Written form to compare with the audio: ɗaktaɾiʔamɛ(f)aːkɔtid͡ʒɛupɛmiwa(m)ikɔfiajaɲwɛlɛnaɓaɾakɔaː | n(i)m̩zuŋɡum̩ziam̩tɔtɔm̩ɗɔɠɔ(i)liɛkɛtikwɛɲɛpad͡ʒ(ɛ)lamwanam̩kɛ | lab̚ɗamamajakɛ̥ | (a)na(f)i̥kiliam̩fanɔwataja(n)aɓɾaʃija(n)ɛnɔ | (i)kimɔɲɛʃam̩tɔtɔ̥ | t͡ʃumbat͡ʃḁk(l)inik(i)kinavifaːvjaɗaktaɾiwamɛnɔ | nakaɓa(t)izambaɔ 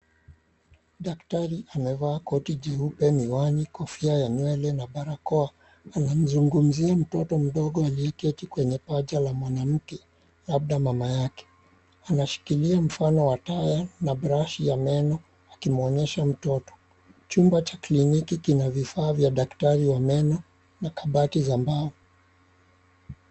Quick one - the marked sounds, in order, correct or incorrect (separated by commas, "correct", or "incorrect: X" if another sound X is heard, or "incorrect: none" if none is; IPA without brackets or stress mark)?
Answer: incorrect: v, incorrect: n, incorrect: a, incorrect: a, incorrect: a, correct, incorrect: ʃ, correct, incorrect: m, incorrect: a, correct, correct, correct